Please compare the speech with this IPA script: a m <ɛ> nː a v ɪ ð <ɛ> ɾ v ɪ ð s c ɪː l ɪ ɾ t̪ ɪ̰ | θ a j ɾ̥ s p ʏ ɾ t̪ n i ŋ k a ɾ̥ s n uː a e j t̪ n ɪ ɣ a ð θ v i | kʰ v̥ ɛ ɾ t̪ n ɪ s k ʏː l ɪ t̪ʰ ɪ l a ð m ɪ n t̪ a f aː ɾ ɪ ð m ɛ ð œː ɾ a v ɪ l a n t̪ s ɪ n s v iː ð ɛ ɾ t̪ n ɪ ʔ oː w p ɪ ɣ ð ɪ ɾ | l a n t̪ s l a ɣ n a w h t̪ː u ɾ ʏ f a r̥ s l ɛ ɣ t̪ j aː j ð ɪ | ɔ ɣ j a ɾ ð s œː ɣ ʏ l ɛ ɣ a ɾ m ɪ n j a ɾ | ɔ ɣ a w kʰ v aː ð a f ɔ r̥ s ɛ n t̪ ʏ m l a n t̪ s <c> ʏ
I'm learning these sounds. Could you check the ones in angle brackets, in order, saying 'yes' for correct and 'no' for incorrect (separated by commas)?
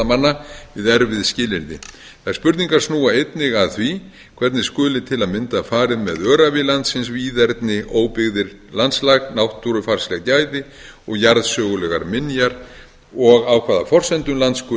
no, yes, no